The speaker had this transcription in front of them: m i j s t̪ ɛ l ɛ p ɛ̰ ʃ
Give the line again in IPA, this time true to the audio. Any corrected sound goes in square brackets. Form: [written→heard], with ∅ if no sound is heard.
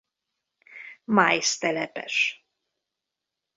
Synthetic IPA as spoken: m [i→a] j s t̪ ɛ l ɛ p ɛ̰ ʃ